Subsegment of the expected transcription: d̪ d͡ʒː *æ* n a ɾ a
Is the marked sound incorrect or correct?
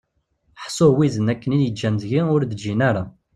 incorrect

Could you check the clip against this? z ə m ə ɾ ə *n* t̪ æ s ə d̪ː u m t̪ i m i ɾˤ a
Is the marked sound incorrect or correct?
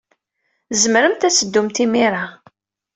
incorrect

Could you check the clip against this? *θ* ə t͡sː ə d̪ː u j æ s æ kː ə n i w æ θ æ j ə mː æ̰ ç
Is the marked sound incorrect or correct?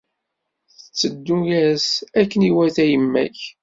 correct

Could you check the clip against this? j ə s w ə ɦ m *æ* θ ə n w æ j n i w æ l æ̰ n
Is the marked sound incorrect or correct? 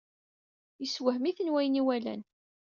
incorrect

